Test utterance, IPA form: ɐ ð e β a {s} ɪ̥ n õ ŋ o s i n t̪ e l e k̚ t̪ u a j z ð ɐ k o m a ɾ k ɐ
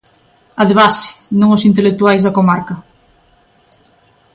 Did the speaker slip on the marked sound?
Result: no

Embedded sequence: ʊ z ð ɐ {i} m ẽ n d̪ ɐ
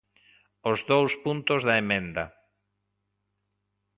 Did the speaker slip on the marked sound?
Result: yes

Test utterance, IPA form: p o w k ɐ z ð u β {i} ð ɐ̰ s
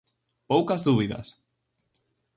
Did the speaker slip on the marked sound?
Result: no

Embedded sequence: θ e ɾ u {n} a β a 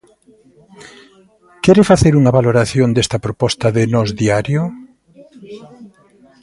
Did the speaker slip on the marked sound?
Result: yes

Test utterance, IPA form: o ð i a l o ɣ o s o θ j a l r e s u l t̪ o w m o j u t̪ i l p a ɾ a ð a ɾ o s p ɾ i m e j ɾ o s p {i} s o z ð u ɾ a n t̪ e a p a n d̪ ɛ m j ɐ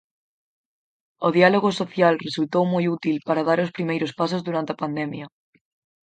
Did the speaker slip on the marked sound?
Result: yes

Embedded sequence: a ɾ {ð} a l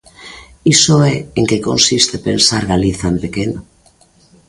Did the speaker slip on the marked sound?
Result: yes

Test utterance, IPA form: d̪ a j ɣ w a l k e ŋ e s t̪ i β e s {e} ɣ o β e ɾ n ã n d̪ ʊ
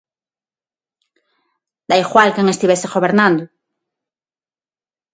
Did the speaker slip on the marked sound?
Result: no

